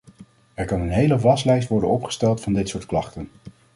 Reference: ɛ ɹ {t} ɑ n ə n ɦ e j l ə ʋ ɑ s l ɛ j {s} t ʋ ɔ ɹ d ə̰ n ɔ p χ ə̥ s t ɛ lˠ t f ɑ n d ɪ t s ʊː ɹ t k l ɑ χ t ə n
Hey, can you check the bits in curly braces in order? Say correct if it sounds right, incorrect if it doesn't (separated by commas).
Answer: incorrect, correct